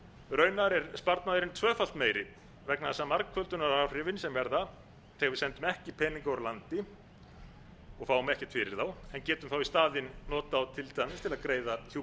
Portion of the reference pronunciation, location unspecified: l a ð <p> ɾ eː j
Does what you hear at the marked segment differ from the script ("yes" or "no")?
yes